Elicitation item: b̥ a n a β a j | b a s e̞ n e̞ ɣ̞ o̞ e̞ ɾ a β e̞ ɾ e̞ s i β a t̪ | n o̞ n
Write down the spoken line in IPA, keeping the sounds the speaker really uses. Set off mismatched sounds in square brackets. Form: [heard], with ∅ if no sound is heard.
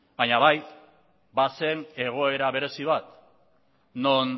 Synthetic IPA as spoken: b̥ a [ɲ] a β a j | b a s e̞ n e̞ ɣ̞ o̞ e̞ ɾ a β e̞ ɾ e̞ s i β a t̪ | n o̞ n

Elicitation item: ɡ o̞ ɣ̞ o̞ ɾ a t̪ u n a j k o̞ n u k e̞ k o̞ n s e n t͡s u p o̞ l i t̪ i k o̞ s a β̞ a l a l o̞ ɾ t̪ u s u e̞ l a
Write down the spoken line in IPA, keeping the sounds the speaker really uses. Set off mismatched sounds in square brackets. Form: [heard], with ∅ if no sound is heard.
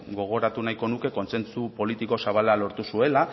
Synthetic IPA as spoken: ɡ o̞ ɣ̞ o̞ ɾ a t̪ u n a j k o̞ n u k e̞ k o̞ n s e n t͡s u p o̞ l i t̪ i k o̞ s a β̞ a l a l o̞ ɾ t̪ u s u e̞ l a

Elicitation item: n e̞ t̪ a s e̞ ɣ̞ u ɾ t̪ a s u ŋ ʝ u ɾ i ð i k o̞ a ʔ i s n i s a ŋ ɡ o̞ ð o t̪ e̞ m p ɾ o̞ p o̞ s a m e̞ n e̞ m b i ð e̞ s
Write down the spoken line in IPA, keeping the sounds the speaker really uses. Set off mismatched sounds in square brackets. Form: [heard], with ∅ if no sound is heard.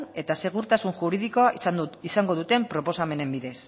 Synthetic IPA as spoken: n e̞ t̪ a s e̞ ɣ̞ u ɾ t̪ a s u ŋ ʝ u ɾ i ð i k o̞ a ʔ i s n i s a ŋ ɡ o̞ ð [u] t̪ e̞ m p ɾ o̞ p o̞ s a m e̞ n e̞ m b i ð e̞ s

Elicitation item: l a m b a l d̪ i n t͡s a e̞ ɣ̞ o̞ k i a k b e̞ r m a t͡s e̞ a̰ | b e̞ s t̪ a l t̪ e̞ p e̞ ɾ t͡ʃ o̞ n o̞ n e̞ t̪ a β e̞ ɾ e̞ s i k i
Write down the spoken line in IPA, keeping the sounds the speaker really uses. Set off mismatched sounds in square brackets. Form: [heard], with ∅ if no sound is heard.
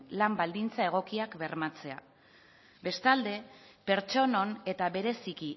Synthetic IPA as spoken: l a m b a l d̪ i n t͡s a e̞ ɣ̞ o̞ k i a k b e̞ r m a t͡s e̞ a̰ | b e̞ s t̪ a l [d̪] e̞ p e̞ ɾ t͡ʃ o̞ n o̞ n e̞ t̪ a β e̞ ɾ e̞ s i k i

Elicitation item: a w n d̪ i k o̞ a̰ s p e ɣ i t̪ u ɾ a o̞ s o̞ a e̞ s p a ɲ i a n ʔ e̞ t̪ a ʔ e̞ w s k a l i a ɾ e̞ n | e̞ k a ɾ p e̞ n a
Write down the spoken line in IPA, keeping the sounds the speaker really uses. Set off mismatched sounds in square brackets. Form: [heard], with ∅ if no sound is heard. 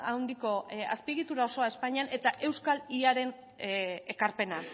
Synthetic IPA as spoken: a w n d̪ i k o̞ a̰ s p [i] ɣ i t̪ u ɾ a o̞ s o̞ a e̞ s p a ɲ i a n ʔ e̞ t̪ a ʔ e̞ w s k a l i a ɾ e̞ n | e̞ k a ɾ p e̞ n a

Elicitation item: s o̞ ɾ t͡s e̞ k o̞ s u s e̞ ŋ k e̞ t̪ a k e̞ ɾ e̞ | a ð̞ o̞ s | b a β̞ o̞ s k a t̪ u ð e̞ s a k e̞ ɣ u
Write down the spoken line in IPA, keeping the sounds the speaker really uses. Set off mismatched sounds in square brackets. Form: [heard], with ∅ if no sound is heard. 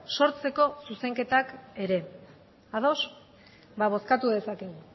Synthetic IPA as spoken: s o̞ ɾ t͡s e̞ k o̞ s u s e̞ ŋ k e̞ t̪ a k e̞ ɾ e̞ | a ð̞ o̞ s | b a β̞ o̞ s k a t̪ u ð e̞ s a k e̞ ɣ u

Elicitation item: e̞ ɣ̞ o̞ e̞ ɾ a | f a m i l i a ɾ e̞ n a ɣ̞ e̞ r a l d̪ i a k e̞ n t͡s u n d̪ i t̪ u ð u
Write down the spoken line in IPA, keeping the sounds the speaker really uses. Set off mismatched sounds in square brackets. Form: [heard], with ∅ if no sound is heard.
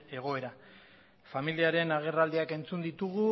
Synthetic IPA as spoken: e̞ ɣ̞ o̞ e̞ ɾ a | f a m i l i a ɾ e̞ n a ɣ̞ e̞ r a l d̪ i a k e̞ n t͡s u n d̪ i t̪ u [ɣ] u

